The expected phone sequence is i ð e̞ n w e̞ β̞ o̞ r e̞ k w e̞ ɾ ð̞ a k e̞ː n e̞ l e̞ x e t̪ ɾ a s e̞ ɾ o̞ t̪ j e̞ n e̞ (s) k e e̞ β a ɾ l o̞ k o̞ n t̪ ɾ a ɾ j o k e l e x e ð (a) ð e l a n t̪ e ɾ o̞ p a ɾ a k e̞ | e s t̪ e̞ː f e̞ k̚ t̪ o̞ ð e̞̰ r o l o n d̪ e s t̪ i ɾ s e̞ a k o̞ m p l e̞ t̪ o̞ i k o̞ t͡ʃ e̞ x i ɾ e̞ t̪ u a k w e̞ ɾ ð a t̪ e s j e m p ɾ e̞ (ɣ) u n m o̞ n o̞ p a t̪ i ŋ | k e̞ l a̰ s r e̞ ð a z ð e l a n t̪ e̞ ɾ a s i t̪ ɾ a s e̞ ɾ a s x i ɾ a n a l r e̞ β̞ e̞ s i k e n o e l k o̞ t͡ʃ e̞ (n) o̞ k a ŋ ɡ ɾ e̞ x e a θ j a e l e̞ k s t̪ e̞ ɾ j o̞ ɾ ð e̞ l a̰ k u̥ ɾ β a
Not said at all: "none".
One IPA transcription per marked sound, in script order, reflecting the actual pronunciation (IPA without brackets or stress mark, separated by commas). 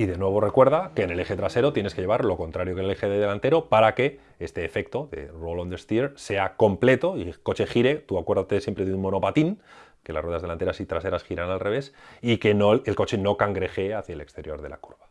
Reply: s, e, ð, n